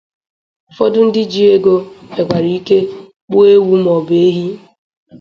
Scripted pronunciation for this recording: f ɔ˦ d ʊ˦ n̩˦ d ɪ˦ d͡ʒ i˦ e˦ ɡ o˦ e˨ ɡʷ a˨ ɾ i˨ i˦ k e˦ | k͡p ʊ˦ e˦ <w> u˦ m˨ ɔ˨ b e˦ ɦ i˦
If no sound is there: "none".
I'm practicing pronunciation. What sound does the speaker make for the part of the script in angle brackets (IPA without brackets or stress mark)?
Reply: w